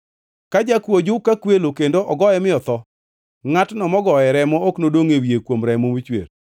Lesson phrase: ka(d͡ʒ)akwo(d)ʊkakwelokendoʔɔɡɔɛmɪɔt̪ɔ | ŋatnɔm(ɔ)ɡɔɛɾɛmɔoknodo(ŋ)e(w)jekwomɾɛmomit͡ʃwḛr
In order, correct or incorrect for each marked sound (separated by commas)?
correct, incorrect, correct, correct, correct